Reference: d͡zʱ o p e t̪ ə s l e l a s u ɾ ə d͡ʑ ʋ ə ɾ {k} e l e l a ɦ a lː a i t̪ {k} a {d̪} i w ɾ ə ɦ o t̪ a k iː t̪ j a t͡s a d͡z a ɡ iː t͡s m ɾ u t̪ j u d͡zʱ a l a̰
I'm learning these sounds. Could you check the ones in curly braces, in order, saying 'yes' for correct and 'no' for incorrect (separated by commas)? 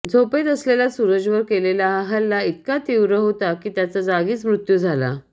yes, yes, no